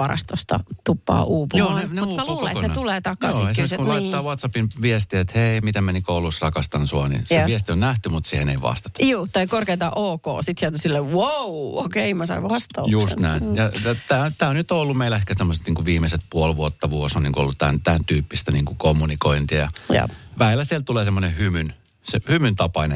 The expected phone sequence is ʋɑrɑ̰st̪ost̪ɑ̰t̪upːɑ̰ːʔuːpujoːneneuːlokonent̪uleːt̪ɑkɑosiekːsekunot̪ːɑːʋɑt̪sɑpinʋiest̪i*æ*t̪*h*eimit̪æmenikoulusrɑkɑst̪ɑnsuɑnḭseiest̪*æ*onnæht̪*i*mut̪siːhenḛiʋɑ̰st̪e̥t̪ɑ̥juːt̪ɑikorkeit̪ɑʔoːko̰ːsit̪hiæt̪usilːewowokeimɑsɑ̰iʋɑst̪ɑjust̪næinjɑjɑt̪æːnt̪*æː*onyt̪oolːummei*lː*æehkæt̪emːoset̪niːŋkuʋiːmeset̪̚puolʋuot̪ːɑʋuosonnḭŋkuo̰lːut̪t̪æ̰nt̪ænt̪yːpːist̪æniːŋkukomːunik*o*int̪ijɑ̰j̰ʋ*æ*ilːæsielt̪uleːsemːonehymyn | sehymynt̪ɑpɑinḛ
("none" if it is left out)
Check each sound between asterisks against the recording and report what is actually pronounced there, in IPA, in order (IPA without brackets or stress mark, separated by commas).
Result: e, h, i, y, æː, l, o, æ